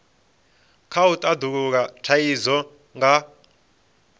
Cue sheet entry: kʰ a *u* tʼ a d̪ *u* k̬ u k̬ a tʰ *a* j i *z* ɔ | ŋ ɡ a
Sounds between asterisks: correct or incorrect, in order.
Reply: correct, correct, correct, correct

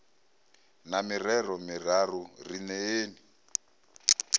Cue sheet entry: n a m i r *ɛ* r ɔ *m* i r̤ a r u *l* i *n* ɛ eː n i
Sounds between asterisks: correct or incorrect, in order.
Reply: correct, correct, incorrect: r, correct

